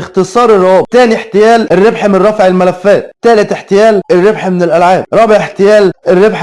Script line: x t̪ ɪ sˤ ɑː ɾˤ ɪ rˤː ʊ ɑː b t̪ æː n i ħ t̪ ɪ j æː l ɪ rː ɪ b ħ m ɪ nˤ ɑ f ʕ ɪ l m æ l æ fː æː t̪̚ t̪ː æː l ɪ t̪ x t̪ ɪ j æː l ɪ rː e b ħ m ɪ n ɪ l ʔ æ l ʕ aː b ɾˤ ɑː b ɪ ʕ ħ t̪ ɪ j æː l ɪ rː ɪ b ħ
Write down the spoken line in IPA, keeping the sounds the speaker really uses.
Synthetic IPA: x t̪ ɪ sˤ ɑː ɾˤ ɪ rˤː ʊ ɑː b t̪ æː n i ħ t̪ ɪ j æː l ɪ rː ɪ b ħ m ɪ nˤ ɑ f ʕ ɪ l m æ l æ fː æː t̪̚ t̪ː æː l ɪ t̪ ħ t̪ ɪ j æː l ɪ rː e b ħ m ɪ n ɪ l ʔ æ l ʕ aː b ɾˤ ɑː b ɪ ʕ ħ t̪ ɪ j æː l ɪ rː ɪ b ħ